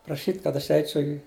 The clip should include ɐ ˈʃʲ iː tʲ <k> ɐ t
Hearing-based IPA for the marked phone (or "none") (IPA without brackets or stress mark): k